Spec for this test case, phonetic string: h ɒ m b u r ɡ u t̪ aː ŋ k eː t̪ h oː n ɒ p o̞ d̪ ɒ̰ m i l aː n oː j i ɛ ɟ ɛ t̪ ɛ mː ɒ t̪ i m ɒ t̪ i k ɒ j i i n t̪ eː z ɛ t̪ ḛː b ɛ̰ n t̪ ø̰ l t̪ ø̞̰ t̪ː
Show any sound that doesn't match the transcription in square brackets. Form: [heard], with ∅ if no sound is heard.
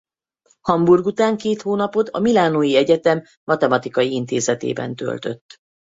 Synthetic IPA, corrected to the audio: h ɒ m b u r ɡ u t̪ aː ŋ k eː t̪ h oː n ɒ p o̞ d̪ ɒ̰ m i l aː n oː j i ɛ ɟ ɛ t̪ ɛ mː ɒ t̪ [ɛ] m ɒ t̪ i k ɒ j i i n t̪ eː z ɛ t̪ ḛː b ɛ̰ n t̪ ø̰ l t̪ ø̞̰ t̪ː